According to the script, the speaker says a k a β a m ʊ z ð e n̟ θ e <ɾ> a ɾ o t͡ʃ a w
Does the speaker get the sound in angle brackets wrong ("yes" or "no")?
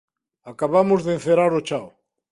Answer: no